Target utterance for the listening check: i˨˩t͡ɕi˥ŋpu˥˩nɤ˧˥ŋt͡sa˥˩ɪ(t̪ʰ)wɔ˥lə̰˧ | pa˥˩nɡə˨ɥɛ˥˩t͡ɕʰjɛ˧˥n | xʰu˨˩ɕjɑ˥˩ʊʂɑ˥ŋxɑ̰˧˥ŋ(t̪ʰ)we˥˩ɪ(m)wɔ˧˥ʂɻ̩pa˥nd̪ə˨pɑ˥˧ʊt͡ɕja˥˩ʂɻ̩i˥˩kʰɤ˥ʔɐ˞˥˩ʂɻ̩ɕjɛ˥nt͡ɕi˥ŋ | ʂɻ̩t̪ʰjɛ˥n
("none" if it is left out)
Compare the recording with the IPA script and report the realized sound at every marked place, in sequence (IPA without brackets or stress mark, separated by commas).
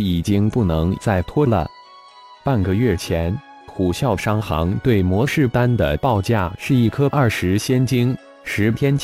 t̪ʰ, t̪, m